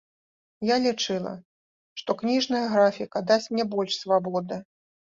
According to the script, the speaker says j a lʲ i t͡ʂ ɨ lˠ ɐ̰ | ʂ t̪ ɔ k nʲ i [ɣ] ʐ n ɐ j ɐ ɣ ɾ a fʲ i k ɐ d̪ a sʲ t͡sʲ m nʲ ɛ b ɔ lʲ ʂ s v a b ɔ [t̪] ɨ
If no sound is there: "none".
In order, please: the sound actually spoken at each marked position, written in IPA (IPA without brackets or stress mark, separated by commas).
none, d̪